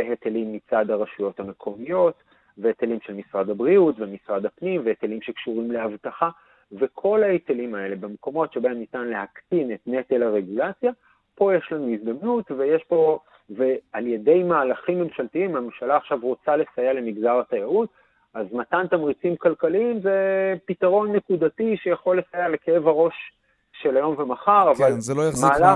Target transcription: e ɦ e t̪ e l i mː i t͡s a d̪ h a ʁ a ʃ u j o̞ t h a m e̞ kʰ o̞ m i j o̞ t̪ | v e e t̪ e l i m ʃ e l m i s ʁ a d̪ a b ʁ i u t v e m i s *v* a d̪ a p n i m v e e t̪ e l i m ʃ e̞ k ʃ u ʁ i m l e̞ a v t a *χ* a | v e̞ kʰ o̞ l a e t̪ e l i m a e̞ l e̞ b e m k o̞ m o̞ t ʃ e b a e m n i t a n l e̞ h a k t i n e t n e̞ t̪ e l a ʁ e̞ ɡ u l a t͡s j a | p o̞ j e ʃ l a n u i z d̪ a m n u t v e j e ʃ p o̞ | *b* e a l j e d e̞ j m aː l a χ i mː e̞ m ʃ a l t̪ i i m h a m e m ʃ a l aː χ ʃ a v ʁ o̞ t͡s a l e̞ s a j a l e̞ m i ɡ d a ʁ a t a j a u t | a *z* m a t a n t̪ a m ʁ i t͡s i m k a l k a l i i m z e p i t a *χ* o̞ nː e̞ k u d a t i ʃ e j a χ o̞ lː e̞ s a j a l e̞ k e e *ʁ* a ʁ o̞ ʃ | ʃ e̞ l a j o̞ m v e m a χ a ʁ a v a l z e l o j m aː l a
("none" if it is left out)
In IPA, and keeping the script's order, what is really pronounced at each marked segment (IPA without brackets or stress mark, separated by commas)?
ʁ, χ, v, z, ʁ, v